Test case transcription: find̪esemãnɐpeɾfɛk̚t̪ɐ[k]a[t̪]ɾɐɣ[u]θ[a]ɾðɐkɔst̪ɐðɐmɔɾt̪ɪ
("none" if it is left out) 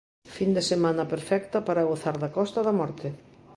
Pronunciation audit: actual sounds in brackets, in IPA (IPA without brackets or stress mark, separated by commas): p, none, o, a